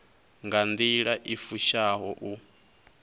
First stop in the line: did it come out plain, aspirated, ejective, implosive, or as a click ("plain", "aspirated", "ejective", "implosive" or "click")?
plain